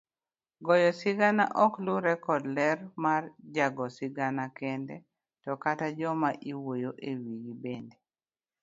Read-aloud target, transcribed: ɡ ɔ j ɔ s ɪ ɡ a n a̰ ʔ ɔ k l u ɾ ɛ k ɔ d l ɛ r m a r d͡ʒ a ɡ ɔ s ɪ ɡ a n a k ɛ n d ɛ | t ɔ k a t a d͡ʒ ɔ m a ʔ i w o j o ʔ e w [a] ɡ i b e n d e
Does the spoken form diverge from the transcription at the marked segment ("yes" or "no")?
yes